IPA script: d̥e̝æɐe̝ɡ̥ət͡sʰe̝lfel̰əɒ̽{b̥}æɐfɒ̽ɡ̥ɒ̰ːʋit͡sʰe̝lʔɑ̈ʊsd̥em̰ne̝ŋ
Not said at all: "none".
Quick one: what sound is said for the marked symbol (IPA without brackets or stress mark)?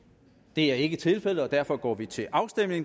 d̥